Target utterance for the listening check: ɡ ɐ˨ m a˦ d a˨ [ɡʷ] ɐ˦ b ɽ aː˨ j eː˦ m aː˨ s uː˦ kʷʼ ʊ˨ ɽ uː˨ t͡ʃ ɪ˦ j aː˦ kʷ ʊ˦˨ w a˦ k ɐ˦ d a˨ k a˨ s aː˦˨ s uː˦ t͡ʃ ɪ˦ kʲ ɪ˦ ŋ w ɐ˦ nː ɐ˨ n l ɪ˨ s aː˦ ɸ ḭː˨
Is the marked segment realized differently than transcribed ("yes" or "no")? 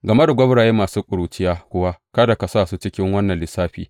no